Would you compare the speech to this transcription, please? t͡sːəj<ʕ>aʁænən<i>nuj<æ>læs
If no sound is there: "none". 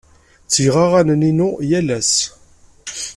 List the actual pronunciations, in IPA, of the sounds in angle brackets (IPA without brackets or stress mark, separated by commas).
ʁ, i, æ